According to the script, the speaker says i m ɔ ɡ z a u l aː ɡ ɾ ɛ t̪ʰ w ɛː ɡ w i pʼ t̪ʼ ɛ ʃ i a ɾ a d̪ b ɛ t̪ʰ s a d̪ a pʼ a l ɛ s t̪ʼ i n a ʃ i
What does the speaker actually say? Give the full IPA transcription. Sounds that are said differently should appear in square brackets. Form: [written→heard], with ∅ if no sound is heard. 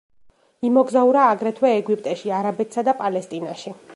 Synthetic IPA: i m ɔ ɡ z a u [l→ɾ] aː ɡ ɾ ɛ t̪ʰ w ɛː ɡ w i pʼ t̪ʼ ɛ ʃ i a ɾ a [d̪→∅] b ɛ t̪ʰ s a d̪ a pʼ a l ɛ s t̪ʼ i n a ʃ i